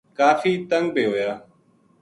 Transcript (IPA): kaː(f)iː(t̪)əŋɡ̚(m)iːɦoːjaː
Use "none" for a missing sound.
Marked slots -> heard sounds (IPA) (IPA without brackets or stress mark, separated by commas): f, t̪, b